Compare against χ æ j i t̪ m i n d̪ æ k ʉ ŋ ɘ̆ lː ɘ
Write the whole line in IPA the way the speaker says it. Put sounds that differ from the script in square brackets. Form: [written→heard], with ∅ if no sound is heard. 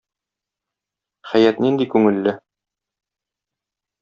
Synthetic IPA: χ æ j [i→æ] t̪ [m→n] i n d̪ [æ→i] k ʉ ŋ ɘ̆ lː ɘ